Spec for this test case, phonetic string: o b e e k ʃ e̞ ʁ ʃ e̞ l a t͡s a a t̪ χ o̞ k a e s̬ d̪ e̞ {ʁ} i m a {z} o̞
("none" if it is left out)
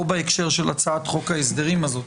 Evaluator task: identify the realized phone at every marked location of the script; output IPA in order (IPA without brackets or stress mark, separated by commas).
ʁ, z